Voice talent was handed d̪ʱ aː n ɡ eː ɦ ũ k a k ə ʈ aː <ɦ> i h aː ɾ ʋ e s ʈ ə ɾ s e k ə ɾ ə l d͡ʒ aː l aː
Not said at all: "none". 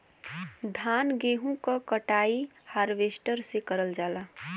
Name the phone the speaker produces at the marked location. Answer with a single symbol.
none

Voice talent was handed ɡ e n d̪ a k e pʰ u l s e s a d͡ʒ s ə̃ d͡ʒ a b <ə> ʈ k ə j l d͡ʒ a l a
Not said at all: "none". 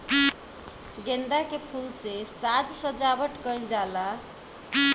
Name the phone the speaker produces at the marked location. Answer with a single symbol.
ə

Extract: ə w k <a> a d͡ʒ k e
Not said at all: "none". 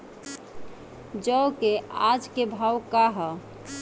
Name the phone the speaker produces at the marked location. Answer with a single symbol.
e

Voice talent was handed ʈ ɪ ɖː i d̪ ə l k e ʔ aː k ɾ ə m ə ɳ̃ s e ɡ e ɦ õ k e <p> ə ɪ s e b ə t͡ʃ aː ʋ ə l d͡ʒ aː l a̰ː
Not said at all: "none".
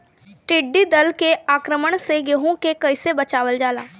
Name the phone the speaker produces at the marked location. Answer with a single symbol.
k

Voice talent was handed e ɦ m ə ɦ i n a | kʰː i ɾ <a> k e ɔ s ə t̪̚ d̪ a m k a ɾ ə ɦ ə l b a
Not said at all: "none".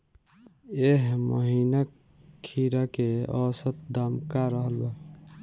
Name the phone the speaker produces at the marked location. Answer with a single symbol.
a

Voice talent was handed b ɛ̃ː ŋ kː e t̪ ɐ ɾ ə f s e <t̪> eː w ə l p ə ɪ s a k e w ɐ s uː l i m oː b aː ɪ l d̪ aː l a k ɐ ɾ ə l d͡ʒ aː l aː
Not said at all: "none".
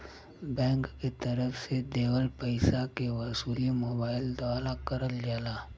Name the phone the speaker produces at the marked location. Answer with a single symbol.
d̪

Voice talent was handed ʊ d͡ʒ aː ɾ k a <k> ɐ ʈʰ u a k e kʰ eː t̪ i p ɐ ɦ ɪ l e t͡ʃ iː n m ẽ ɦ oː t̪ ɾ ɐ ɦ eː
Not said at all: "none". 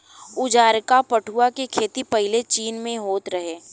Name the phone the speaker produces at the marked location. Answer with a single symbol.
p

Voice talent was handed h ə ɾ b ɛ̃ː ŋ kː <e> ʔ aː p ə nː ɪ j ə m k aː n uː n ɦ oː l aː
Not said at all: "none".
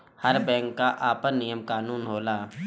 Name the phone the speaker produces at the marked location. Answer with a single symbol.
a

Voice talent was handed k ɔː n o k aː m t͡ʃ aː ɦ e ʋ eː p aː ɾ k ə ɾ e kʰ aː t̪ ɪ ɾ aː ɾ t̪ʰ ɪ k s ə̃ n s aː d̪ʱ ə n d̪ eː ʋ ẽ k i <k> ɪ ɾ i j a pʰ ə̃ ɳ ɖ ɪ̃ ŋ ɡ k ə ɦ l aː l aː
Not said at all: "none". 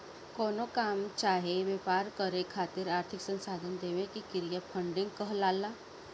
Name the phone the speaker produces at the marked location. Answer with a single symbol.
k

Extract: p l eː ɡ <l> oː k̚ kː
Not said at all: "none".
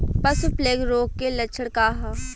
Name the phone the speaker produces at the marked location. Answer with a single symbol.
ɾ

